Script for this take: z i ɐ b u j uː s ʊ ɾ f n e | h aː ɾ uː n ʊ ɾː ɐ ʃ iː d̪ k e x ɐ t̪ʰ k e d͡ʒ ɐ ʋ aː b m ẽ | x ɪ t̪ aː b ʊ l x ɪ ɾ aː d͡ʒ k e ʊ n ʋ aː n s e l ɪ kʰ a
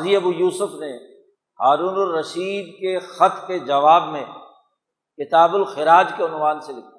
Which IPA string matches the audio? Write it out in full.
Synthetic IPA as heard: z i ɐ b u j uː s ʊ f n e | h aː ɾ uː n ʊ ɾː ɐ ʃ iː d̪ k e x ɐ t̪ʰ k e d͡ʒ ɐ ʋ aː b m ẽ | k ɪ t̪ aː b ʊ l x ɪ ɾ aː d͡ʒ k e ʊ n ʋ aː n s e l ɪ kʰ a